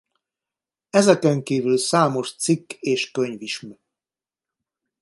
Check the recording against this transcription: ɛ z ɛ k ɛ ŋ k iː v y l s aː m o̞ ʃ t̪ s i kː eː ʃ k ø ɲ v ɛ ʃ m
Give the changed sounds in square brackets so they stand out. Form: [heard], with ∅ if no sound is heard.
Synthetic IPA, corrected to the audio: ɛ z ɛ k ɛ ŋ k iː v y l s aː m o̞ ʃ t̪ s i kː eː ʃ k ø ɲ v [i] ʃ m